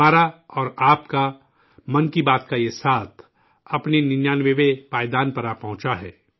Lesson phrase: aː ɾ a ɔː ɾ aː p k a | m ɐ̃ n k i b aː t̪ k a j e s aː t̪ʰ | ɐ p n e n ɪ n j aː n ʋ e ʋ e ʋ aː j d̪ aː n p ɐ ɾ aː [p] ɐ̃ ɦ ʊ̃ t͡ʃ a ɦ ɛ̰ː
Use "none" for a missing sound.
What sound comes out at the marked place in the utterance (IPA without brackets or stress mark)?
p